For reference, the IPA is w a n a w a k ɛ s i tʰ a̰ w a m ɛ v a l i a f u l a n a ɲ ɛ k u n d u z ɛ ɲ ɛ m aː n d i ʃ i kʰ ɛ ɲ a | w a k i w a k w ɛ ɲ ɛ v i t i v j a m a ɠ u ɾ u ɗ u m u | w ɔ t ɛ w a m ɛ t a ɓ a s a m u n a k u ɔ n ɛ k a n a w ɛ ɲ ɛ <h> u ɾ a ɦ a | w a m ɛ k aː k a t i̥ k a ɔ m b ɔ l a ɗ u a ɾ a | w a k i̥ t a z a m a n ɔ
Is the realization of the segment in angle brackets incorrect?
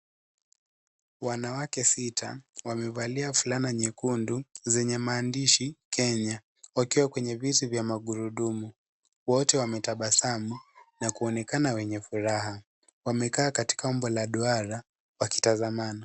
yes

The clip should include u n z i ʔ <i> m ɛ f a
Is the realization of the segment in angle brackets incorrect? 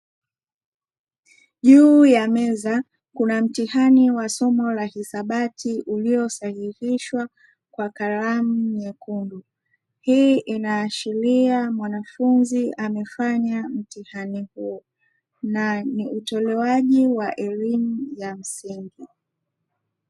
yes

